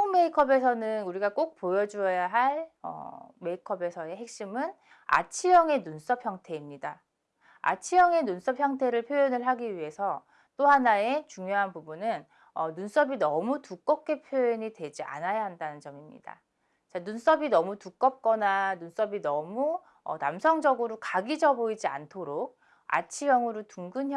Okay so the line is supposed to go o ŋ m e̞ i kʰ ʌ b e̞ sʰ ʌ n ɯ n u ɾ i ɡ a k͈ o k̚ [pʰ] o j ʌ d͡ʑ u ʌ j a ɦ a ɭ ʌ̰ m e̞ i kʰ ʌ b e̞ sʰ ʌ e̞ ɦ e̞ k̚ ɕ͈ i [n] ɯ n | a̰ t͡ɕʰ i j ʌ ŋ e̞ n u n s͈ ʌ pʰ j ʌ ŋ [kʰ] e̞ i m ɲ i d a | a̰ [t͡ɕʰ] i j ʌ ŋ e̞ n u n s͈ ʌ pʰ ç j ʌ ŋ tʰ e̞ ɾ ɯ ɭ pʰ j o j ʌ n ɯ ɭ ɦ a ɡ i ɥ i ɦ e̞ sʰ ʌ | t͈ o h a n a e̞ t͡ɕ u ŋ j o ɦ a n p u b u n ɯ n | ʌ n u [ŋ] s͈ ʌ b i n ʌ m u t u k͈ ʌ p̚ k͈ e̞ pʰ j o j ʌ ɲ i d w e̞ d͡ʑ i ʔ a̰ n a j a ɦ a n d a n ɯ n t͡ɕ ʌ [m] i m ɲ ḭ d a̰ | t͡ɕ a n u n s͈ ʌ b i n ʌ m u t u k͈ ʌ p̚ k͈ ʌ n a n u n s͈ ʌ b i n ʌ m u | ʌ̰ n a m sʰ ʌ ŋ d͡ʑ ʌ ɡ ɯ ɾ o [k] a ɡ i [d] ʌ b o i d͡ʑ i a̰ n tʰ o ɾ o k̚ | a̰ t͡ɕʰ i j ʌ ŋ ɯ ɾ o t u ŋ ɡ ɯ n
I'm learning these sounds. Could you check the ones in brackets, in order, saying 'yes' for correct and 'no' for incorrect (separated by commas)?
no, no, no, yes, no, yes, yes, no